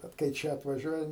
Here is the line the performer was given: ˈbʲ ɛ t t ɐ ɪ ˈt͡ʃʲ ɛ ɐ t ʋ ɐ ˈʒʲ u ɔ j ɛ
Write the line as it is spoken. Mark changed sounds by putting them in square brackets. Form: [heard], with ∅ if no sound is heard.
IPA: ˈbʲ ɛ t [k] ɐ ɪ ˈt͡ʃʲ ɛ ɐ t ʋ ɐ ˈʒʲ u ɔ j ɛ